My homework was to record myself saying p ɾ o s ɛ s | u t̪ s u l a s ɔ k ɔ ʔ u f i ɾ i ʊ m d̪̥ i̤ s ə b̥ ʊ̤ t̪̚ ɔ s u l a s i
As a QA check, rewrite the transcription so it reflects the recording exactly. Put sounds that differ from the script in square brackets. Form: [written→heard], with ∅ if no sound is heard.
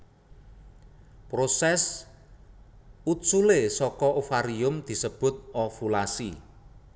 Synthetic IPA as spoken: p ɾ o s ɛ s | u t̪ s u l [a→e] s ɔ k ɔ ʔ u f [i→a] ɾ i ʊ m d̪̥ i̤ s ə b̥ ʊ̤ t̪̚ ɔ [s→f] u l a s i